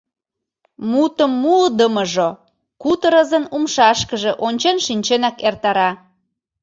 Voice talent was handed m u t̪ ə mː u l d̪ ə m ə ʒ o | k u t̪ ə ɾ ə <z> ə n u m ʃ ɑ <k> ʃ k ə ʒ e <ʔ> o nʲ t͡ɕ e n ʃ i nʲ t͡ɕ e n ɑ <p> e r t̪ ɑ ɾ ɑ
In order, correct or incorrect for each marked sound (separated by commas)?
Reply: correct, incorrect, correct, incorrect